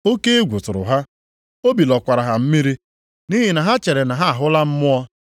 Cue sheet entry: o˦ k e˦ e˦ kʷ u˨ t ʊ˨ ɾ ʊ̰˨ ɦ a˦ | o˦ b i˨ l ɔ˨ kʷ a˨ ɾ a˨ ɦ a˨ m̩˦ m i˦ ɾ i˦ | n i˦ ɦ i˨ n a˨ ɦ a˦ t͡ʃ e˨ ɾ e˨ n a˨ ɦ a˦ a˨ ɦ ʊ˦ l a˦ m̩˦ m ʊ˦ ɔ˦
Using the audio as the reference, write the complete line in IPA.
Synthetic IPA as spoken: o˦ k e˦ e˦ ɡʷ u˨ t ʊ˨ ɾ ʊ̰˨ ɦ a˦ | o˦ b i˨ l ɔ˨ kʷ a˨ ɾ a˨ ɦ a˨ m̩˦ m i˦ ɾ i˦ | n i˦ ɦ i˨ n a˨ ɦ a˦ t͡ʃ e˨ ɾ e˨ n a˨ ɦ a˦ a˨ ɦ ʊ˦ l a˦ m̩˦ m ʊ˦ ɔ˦